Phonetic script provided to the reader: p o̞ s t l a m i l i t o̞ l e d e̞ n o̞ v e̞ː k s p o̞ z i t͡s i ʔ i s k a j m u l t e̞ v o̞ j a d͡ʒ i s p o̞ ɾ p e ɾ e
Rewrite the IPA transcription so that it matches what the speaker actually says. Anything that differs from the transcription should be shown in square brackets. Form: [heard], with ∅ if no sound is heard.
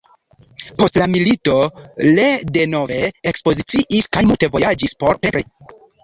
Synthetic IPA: p o̞ s t l a m i l i t o̞ l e d e̞ n o̞ v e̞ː k s p o̞ z i t͡s i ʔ i s k a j m u l t e̞ v o̞ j a d͡ʒ i s p o̞ ɾ p e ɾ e